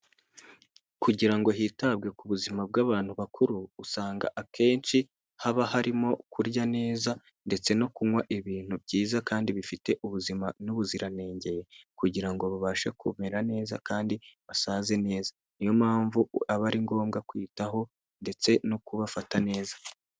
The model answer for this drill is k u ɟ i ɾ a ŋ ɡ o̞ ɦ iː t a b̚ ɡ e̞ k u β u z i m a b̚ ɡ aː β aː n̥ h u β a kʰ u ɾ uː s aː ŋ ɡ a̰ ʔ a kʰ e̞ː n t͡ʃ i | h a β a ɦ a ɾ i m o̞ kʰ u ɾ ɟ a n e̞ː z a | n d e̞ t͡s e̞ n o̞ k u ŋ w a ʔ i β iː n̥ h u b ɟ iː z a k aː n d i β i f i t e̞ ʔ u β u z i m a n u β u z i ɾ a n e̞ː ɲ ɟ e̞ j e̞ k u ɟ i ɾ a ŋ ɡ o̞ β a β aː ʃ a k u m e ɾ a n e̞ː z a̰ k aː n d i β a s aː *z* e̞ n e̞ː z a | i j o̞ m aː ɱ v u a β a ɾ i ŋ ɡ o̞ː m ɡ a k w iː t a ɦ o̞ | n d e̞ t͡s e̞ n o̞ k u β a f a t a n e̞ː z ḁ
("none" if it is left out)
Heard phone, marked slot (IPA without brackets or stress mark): z